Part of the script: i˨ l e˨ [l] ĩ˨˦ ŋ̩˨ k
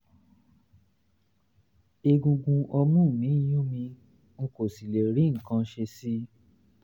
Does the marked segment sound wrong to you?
yes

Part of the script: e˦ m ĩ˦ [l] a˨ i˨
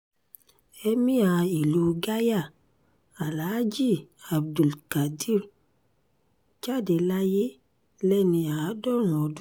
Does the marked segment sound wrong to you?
yes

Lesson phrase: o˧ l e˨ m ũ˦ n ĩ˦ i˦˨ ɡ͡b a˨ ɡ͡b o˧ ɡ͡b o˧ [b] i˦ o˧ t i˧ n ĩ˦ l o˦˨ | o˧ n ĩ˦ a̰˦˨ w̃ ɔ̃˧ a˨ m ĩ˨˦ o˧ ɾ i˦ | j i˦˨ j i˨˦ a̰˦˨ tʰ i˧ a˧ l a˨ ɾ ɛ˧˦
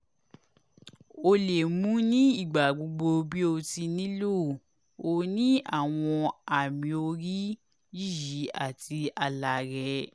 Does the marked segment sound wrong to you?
no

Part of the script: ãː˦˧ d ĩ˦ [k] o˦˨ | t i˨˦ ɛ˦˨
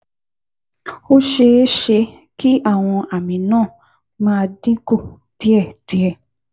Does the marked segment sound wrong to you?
no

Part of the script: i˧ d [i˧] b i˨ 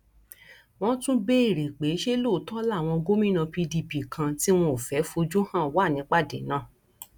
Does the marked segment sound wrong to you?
no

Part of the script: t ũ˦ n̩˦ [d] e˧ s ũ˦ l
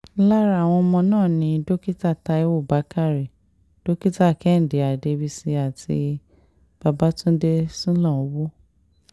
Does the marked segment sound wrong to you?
no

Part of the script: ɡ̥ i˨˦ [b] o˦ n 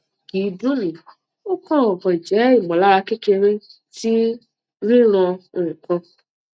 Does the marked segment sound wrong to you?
yes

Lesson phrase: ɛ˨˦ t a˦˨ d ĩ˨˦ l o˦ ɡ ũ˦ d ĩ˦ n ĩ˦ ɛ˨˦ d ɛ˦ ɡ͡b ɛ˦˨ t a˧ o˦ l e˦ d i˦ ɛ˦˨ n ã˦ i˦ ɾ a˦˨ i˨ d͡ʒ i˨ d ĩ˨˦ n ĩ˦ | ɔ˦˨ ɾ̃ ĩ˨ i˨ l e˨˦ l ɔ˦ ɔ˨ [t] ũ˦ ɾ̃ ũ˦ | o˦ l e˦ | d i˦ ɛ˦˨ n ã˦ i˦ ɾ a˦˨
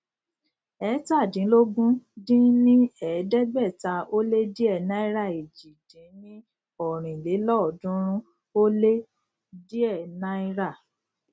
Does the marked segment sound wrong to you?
yes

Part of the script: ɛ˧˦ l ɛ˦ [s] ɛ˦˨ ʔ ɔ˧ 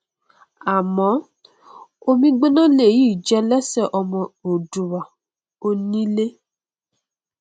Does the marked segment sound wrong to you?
no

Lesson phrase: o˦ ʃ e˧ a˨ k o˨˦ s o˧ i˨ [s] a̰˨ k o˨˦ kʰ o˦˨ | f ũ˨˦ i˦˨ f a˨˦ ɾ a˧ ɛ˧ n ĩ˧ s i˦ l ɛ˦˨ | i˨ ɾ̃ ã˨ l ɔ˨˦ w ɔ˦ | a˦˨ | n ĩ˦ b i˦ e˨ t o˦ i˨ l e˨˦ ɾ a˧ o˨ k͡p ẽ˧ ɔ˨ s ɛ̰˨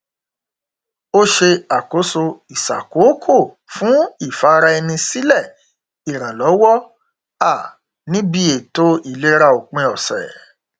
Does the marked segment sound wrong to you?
no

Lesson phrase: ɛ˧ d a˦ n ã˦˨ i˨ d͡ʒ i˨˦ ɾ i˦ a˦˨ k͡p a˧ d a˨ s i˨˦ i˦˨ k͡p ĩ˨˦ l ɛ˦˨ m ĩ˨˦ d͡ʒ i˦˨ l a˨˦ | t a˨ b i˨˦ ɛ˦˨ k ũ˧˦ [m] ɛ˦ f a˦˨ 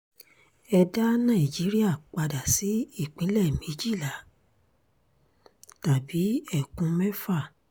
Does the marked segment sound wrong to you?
no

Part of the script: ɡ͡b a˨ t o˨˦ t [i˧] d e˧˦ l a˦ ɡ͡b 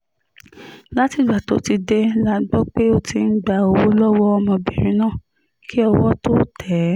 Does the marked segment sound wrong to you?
no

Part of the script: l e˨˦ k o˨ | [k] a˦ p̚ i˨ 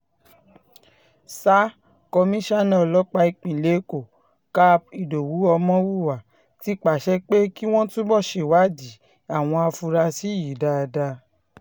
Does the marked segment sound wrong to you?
no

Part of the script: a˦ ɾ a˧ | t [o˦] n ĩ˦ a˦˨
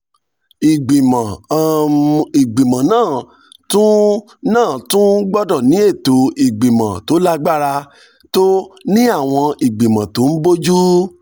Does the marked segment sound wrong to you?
no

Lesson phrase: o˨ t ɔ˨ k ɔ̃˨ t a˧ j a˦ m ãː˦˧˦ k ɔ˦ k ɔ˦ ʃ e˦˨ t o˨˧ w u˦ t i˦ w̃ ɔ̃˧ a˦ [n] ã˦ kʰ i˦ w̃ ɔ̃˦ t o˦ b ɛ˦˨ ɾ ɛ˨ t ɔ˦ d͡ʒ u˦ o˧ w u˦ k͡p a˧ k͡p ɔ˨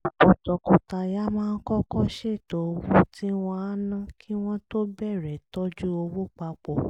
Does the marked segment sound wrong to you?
no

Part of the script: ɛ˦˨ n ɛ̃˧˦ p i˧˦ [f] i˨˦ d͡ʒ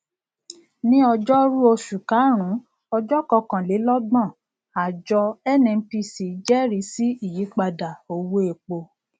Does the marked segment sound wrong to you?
yes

